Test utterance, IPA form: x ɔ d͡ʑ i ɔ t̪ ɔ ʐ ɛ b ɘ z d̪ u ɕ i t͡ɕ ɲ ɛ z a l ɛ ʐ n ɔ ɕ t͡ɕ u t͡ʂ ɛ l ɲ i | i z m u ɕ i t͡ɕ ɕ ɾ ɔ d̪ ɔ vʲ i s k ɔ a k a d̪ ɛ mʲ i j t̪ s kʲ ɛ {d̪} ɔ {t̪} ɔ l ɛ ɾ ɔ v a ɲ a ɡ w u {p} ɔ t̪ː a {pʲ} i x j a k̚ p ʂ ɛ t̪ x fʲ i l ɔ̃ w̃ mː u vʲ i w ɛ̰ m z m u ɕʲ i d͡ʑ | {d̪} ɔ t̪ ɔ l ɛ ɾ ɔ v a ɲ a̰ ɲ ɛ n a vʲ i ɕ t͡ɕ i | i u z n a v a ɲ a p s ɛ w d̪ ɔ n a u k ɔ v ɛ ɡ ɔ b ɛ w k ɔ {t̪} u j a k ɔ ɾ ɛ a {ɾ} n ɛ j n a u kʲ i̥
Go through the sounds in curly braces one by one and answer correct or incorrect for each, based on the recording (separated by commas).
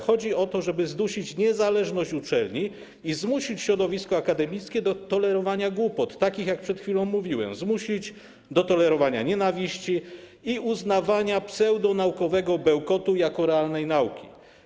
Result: correct, correct, correct, incorrect, correct, correct, incorrect